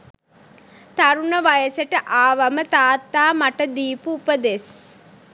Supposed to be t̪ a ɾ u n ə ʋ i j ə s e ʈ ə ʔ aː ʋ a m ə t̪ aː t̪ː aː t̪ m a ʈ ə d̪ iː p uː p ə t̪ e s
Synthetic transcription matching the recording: t̪ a ɾ u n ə ʋ a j ə s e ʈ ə ʔ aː ʋ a m ə t̪ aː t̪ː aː m a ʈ ə d̪ iː p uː p ə d̪ e s